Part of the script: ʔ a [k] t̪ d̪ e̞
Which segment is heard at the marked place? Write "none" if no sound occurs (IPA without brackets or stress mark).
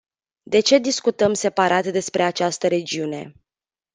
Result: none